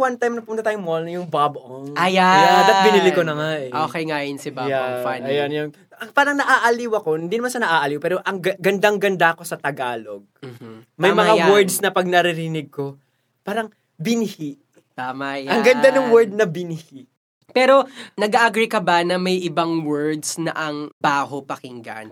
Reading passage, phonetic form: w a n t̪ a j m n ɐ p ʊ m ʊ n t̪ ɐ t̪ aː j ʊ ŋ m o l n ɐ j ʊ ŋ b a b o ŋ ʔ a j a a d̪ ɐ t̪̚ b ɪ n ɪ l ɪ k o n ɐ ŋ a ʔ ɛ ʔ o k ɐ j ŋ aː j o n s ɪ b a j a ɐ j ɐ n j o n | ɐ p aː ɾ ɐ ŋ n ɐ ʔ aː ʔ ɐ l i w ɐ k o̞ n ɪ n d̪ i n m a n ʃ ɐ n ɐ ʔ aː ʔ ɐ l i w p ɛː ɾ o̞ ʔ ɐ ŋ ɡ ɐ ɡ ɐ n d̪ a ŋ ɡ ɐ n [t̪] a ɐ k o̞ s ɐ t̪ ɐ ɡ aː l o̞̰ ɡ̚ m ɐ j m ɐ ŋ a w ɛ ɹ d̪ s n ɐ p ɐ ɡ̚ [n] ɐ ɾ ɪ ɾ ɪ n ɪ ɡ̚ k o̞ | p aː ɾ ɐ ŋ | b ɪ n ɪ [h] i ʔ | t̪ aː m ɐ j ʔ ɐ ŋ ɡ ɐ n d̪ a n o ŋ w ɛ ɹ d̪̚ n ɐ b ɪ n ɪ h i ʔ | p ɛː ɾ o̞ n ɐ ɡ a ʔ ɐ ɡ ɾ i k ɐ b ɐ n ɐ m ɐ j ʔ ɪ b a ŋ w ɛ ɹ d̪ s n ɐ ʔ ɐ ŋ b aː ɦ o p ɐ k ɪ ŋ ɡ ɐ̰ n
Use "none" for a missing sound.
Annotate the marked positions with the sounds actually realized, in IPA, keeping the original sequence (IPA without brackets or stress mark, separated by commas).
d̪, n, h